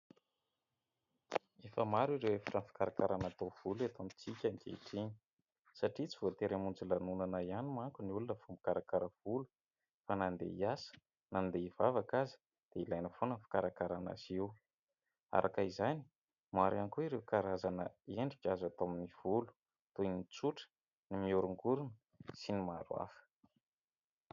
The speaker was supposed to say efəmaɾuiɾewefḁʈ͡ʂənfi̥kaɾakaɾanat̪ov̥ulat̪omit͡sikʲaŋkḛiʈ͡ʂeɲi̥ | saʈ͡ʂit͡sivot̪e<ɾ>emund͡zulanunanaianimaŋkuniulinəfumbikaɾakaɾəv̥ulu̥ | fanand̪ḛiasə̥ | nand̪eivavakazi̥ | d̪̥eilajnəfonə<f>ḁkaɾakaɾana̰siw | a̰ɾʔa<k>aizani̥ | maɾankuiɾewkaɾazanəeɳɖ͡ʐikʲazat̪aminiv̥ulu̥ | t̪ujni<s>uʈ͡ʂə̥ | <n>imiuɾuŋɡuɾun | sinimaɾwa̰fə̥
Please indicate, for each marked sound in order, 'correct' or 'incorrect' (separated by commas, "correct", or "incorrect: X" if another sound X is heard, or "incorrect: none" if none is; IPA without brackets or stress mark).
correct, correct, correct, incorrect: t͡s, correct